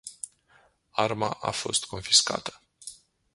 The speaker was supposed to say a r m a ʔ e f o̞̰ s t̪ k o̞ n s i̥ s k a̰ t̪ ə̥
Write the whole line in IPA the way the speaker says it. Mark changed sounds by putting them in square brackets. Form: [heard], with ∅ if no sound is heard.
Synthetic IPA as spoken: a r m a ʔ [a] f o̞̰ s t̪ k o̞ n [f] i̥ s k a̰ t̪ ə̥

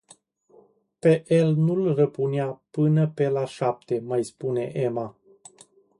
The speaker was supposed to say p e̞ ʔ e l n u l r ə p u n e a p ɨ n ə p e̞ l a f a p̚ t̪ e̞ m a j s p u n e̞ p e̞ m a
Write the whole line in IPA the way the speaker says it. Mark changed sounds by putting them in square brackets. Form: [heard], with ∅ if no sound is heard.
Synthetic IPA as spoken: p e̞ ʔ e l n u l r ə p u n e a p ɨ n ə p e̞ l a [ʃ] a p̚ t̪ e̞ m a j s p u n e̞ [ʔ] e̞ m a

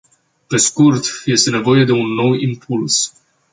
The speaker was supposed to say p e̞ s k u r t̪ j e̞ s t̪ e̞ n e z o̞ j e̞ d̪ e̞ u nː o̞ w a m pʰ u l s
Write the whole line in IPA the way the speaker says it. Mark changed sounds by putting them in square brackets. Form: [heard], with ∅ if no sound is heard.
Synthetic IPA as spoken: p e̞ s k u r t̪ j e̞ s t̪ e̞ n e [v] o̞ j e̞ d̪ e̞ u nː o̞ w [i] m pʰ u l s

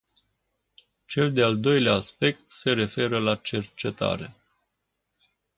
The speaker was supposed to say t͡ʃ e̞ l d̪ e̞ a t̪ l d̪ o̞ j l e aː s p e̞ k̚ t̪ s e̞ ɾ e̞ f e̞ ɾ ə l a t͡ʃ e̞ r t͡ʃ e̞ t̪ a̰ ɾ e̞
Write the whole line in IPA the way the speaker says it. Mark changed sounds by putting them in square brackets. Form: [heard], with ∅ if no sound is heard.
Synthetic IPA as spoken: t͡ʃ e̞ l d̪ e̞ a [∅] l d̪ o̞ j l e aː s p e̞ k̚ t̪ s e̞ ɾ e̞ f e̞ ɾ ə l a t͡ʃ e̞ r t͡ʃ e̞ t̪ a̰ ɾ e̞

